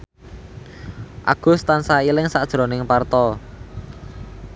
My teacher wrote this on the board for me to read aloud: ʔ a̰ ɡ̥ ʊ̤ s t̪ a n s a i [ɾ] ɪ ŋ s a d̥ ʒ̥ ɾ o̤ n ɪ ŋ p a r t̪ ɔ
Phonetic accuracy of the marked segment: incorrect: l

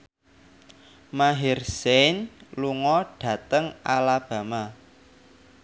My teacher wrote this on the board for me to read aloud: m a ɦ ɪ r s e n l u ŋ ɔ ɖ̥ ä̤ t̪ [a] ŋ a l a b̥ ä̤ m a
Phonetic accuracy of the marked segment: incorrect: ə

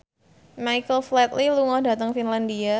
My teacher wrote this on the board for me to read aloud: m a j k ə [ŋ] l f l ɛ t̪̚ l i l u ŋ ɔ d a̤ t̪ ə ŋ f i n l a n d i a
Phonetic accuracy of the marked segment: incorrect: none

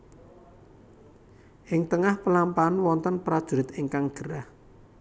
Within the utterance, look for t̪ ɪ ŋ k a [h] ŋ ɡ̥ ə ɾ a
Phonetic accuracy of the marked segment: incorrect: none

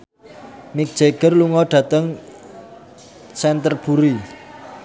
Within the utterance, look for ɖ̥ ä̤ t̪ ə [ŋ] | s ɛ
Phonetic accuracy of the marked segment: correct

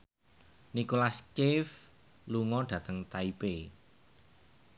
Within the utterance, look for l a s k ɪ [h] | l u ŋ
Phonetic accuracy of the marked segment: incorrect: f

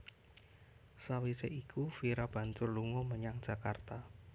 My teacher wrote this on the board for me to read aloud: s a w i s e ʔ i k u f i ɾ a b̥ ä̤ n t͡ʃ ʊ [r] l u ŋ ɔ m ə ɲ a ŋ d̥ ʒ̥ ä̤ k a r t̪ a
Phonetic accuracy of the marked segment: correct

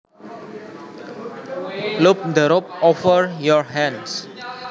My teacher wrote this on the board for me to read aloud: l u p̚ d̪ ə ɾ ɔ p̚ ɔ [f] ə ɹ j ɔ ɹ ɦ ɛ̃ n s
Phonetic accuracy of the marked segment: correct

